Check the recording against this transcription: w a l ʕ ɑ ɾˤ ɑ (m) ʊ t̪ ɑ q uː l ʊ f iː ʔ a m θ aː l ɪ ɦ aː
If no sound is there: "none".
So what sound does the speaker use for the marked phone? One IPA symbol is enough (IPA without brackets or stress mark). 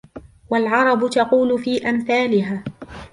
b